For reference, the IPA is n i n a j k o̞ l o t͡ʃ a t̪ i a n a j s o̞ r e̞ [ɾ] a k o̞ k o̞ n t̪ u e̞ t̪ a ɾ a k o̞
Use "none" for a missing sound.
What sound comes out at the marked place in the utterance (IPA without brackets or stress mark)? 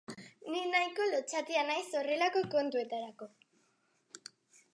l